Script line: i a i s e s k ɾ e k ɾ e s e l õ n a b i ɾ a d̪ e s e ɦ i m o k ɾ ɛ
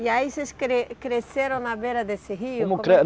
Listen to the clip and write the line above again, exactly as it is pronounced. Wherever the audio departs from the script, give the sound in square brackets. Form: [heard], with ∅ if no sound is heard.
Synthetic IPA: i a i s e s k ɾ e k ɾ e s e [ɾ] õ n a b [e] ɾ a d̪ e s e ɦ i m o k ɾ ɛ